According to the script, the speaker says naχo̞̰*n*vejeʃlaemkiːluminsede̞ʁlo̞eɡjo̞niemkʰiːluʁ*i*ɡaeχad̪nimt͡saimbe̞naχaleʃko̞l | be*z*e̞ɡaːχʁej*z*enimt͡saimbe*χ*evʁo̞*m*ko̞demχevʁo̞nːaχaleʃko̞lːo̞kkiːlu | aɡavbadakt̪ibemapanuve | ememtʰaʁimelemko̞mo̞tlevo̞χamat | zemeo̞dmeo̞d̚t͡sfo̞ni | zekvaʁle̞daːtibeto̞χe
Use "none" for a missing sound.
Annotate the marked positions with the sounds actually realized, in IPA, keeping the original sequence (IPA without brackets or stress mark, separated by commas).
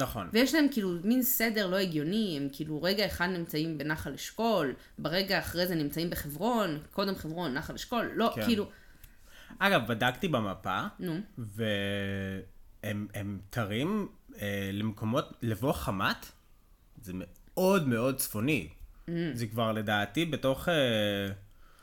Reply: n, e, ʁ, z, χ, n